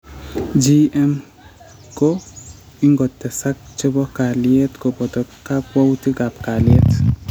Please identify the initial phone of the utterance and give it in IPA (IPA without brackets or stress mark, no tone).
d͡ʒ